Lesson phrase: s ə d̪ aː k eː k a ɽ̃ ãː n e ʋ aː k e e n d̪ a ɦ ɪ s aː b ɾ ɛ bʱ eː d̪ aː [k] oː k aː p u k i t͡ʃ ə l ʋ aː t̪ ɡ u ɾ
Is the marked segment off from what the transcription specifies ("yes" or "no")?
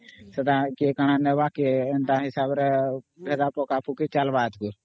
yes